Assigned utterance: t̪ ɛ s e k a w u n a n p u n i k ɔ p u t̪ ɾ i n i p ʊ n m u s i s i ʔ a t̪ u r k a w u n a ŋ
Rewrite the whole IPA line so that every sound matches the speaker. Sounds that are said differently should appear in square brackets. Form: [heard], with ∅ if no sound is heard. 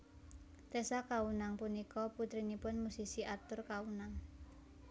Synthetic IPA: t̪ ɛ s [a] k a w u n a [ŋ] p u n i k ɔ p u t̪ ɾ i n i p ʊ n m u s i s i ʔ a t̪ [ʊ] r k a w u n a ŋ